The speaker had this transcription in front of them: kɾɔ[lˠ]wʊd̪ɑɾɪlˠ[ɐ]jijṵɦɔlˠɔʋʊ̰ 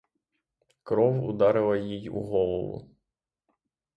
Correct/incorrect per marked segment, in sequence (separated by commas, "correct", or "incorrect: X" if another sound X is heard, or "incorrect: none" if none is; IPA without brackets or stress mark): incorrect: none, correct